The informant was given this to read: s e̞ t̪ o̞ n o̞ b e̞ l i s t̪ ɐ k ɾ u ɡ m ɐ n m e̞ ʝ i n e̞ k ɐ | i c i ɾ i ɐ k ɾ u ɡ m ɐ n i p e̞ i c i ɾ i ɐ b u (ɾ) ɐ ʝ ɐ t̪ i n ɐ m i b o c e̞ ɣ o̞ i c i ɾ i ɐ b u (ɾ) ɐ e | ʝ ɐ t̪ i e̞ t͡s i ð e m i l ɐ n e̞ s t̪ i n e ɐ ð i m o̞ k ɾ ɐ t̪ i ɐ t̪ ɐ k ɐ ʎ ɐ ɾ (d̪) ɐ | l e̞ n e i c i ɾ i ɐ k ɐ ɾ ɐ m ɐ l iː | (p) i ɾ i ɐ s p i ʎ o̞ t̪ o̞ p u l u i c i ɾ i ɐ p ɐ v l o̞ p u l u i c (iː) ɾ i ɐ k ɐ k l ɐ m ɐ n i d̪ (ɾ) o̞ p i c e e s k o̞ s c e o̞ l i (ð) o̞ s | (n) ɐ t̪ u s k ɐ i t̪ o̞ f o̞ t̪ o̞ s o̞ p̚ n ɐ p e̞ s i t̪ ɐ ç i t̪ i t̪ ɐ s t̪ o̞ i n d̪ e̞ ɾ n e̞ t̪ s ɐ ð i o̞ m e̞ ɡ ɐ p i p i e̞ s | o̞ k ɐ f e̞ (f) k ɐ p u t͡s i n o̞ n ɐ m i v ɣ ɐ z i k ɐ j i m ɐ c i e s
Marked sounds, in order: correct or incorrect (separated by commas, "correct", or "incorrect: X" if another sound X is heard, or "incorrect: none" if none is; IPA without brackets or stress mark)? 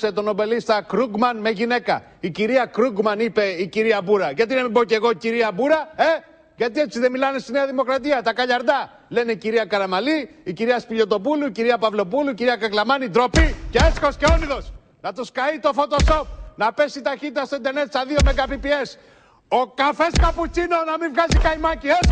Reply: correct, correct, correct, incorrect: c, incorrect: i, correct, correct, correct, incorrect: s